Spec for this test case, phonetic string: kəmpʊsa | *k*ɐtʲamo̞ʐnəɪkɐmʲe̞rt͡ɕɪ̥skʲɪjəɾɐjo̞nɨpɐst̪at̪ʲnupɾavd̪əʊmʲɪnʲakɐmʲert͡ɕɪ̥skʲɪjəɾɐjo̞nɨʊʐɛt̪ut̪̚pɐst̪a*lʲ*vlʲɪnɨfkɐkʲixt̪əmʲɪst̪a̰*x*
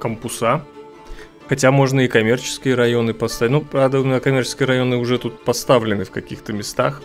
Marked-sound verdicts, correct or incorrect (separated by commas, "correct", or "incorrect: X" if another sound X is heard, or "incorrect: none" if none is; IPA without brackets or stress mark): incorrect: x, incorrect: none, correct